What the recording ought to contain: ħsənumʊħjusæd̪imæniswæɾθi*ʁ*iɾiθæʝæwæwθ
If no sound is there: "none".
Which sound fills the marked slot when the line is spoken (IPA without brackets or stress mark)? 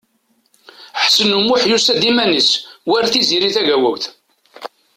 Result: z